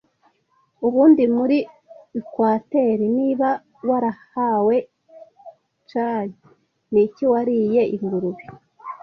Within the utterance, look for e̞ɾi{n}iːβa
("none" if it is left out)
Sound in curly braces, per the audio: n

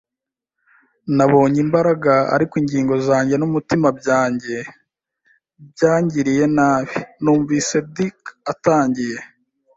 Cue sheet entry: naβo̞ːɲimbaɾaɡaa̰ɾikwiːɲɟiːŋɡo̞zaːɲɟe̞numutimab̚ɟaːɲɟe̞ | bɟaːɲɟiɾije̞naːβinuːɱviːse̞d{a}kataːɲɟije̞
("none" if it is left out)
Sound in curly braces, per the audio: i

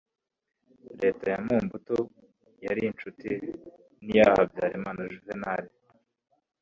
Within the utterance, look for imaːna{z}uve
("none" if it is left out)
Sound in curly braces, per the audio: ʒ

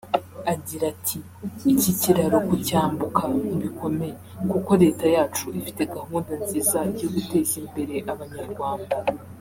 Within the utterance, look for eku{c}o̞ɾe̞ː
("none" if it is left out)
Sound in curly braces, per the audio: k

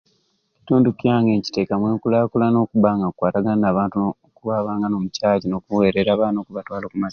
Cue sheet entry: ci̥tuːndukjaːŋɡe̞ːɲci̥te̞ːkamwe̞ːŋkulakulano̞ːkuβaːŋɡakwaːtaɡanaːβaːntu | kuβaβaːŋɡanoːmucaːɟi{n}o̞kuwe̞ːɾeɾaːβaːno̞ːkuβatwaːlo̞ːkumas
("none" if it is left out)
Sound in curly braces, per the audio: n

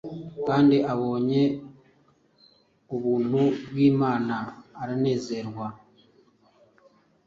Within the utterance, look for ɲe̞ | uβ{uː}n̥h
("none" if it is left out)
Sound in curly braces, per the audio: uː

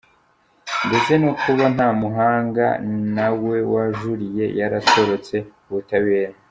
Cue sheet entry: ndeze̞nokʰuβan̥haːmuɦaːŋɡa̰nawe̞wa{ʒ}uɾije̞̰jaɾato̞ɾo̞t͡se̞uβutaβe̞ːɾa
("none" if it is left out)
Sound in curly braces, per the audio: ʒ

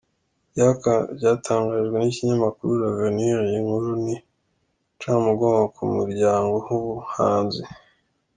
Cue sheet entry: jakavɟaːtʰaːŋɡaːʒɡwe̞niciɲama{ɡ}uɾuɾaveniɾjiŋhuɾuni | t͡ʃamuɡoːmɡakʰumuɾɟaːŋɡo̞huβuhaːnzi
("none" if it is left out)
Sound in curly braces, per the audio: k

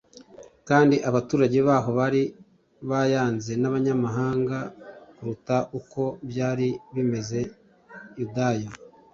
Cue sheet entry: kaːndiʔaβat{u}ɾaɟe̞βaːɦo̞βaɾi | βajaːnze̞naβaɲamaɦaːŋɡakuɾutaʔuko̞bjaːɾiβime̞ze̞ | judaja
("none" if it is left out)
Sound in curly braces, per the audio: uː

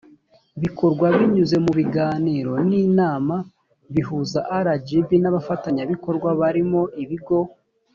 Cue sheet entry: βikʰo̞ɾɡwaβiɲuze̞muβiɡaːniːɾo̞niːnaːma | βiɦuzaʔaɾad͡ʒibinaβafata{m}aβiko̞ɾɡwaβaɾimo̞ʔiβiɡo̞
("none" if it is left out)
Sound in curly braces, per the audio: ɲ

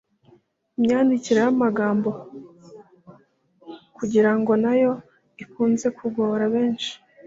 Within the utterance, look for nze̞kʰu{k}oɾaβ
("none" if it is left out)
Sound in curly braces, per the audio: ɡ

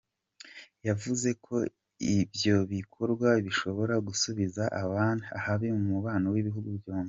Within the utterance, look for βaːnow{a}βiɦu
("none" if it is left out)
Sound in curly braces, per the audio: i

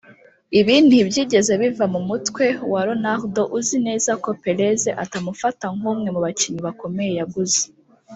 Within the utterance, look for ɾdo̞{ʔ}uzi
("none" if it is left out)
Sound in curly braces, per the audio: ʔ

